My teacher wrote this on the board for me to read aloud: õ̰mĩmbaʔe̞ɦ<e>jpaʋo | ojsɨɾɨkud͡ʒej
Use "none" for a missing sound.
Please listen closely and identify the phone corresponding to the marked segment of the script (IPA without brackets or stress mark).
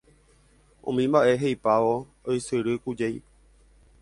e